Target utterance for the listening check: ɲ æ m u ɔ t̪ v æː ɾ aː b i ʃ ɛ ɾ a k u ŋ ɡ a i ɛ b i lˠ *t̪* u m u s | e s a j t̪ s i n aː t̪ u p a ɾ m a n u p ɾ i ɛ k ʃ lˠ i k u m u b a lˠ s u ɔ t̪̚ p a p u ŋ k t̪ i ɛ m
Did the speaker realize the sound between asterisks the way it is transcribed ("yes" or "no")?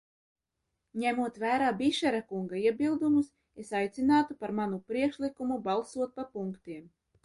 no